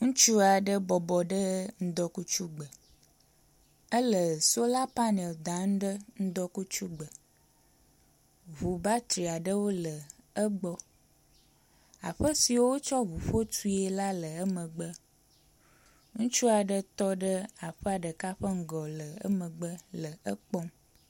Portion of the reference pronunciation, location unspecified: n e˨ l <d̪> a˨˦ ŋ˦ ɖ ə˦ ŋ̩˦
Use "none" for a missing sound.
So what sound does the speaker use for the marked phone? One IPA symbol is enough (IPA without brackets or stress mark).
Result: d̪